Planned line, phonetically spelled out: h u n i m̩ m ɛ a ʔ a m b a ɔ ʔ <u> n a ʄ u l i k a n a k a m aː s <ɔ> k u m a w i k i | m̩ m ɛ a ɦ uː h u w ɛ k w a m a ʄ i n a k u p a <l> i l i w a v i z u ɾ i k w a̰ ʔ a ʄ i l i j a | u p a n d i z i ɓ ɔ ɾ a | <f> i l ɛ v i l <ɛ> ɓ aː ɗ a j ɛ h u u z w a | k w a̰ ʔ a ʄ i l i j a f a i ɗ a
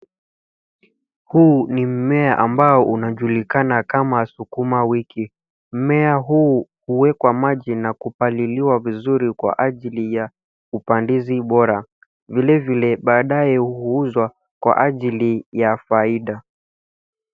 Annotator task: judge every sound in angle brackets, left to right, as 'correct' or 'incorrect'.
correct, incorrect, correct, incorrect, correct

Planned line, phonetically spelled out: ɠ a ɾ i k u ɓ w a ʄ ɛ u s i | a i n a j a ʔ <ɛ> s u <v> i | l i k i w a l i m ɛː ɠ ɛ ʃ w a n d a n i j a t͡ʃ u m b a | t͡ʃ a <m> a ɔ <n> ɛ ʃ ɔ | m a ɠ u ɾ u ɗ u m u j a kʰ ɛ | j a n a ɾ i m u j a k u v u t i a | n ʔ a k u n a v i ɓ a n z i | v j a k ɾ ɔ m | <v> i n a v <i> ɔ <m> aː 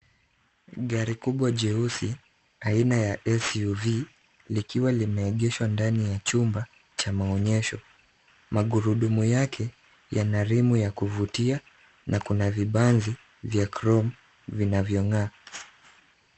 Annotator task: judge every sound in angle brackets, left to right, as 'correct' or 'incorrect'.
correct, correct, correct, incorrect, correct, incorrect, incorrect

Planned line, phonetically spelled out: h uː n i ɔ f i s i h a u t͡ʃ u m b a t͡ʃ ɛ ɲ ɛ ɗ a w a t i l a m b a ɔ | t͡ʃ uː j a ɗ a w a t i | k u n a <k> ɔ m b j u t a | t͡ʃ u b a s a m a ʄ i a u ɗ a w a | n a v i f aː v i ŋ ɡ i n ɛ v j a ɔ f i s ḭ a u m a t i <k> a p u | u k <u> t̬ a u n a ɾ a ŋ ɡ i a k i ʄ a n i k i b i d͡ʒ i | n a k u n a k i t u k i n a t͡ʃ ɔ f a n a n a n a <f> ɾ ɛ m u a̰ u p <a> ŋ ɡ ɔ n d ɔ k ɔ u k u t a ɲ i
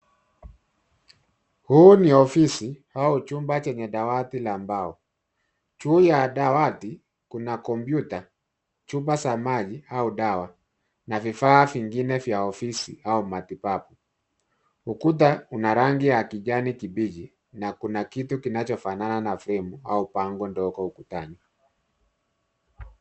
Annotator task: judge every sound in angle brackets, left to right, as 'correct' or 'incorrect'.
correct, incorrect, correct, correct, correct

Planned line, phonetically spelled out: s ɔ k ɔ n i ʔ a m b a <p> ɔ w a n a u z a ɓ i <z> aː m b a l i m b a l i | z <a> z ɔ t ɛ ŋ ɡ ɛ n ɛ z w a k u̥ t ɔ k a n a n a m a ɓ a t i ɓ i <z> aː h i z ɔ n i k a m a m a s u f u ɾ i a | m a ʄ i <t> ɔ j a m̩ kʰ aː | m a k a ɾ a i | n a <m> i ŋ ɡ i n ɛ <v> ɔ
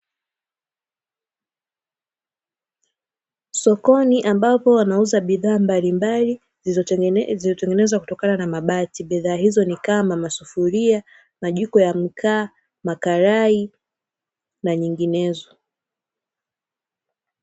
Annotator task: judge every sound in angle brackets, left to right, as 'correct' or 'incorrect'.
correct, incorrect, incorrect, incorrect, incorrect, incorrect, incorrect

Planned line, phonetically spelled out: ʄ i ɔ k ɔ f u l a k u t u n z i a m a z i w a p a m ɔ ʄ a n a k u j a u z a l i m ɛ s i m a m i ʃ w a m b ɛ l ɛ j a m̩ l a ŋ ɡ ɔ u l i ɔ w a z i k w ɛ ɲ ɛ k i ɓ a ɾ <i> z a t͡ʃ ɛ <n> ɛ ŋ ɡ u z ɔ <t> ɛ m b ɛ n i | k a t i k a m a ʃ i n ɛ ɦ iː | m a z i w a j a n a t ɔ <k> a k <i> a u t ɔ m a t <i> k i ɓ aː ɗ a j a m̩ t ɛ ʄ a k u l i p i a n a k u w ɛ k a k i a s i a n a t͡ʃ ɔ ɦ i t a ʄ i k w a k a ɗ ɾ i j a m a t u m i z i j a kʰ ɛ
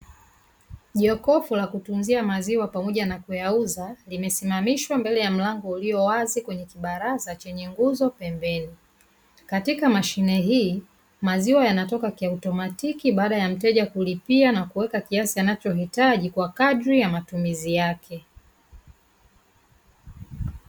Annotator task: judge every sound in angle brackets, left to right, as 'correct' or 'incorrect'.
incorrect, incorrect, incorrect, correct, correct, correct

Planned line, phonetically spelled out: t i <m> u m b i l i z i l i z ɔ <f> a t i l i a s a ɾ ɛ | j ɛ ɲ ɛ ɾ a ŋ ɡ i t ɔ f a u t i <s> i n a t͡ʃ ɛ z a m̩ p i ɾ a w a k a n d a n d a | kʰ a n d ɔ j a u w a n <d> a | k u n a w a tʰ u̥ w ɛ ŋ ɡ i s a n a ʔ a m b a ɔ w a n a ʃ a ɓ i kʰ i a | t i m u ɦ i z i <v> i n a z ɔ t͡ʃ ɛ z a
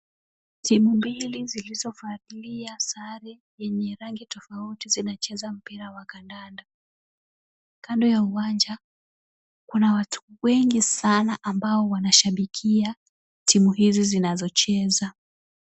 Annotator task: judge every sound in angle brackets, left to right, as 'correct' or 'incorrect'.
correct, correct, incorrect, incorrect, incorrect

